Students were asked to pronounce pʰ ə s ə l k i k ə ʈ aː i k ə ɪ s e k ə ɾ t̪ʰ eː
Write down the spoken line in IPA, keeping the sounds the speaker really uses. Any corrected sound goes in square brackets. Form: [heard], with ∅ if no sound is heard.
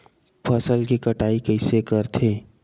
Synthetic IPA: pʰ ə s ə l k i k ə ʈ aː i k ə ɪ s e k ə ɾ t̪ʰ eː